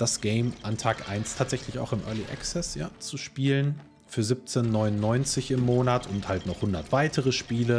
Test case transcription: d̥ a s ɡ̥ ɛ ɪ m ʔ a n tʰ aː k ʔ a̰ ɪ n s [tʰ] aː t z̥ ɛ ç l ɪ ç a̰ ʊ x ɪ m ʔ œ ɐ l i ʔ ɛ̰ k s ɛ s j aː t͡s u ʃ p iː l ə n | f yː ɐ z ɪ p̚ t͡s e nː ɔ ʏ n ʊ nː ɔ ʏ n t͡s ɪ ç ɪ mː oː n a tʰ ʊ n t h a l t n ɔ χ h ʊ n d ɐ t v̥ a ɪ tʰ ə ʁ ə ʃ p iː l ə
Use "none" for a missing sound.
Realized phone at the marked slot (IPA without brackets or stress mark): tʰ